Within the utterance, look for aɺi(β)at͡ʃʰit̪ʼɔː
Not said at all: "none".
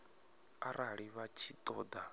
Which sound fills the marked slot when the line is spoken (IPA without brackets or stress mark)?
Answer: β